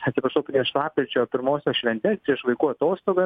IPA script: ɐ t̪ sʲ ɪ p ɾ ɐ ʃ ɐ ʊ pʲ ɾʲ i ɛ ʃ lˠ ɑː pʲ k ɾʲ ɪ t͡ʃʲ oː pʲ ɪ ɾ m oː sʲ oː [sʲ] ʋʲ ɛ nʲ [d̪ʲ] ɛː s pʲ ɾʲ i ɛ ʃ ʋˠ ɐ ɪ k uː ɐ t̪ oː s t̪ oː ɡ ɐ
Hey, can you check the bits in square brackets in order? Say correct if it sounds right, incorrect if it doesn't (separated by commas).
incorrect, incorrect